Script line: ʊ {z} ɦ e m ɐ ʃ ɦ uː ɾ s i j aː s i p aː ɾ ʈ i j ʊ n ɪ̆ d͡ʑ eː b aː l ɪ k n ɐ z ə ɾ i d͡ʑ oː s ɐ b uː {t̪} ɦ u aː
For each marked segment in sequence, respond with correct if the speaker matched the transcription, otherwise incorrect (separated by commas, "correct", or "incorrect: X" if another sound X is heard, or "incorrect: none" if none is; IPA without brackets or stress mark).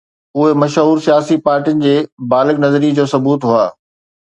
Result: incorrect: none, correct